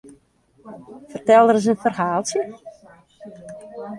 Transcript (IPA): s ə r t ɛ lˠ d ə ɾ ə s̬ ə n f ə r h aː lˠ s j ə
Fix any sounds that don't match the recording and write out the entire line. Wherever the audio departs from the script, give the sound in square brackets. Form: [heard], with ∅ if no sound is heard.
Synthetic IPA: [f] ə r t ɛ lˠ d ə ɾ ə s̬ ə n f ə r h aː lˠ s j ə